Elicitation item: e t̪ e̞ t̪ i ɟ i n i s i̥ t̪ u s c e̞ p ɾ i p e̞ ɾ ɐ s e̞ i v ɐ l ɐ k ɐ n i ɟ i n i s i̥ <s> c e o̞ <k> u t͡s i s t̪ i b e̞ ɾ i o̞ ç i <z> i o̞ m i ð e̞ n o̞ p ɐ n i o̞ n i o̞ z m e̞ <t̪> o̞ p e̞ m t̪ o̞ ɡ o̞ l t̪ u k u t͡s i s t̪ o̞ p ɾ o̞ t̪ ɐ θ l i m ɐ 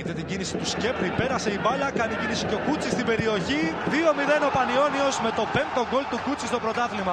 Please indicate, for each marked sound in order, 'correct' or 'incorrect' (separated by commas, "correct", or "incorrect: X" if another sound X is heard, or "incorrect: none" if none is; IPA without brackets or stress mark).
incorrect: none, correct, incorrect: ð, correct